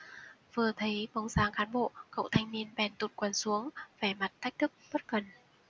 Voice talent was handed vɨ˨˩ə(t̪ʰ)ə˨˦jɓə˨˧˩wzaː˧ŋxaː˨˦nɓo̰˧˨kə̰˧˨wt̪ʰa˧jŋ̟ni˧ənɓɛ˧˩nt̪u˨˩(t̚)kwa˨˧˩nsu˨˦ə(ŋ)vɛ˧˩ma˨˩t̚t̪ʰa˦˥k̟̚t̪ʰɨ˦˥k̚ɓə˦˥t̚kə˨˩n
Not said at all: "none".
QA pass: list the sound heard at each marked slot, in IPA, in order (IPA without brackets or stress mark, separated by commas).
t̪ʰ, t̚, ŋ